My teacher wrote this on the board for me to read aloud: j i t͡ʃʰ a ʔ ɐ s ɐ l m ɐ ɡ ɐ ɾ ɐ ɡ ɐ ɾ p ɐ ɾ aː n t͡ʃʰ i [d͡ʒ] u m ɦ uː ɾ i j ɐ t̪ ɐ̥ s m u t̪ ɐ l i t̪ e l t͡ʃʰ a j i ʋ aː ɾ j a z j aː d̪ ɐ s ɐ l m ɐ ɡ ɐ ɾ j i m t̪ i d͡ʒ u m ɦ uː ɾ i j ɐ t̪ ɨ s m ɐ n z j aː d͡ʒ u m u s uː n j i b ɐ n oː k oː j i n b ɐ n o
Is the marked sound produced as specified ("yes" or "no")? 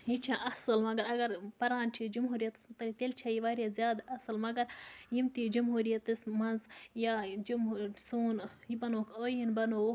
yes